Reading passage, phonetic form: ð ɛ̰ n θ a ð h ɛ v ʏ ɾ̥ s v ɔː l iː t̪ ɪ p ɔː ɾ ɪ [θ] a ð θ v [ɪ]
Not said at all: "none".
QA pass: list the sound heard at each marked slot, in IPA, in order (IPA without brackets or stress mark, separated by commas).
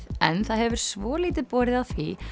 ð, i